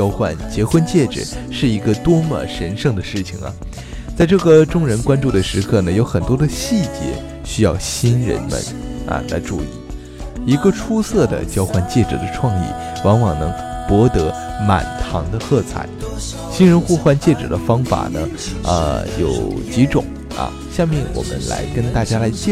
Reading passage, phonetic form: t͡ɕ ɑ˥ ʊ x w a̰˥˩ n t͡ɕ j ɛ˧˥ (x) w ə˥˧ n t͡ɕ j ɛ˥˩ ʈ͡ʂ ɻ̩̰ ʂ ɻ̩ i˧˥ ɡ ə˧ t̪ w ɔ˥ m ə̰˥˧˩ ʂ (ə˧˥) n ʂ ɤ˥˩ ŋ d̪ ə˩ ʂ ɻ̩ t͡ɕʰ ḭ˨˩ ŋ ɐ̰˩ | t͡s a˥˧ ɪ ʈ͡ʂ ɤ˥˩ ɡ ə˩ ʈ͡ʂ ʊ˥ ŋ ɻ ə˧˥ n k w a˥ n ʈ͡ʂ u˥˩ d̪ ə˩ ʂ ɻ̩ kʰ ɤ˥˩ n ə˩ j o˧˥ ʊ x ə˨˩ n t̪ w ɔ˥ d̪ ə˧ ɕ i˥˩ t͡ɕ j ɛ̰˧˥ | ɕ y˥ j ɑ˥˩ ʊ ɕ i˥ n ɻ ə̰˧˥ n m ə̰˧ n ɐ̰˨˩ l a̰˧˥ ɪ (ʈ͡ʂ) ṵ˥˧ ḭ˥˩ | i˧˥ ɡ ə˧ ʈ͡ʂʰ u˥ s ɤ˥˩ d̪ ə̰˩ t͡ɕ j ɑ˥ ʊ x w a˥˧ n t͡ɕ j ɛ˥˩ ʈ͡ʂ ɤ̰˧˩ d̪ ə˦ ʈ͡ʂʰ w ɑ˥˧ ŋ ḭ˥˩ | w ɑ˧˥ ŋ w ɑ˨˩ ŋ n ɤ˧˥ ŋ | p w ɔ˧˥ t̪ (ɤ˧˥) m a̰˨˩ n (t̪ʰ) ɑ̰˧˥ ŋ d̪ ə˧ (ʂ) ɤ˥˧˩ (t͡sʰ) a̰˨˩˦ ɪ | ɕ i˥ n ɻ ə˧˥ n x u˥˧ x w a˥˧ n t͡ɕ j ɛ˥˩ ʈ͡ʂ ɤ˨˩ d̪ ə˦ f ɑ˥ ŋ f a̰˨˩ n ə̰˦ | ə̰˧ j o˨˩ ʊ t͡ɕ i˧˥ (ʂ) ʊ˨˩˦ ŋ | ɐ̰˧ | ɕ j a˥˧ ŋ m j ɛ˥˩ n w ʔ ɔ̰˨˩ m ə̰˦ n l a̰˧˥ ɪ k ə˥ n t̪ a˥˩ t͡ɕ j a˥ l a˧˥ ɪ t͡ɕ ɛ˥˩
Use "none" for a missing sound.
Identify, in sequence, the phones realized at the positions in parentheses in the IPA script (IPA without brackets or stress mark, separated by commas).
x, ə˧˥, ʈ͡ʂ, ɤ˧˥, t̪ʰ, x, t͡sʰ, ʈ͡ʂ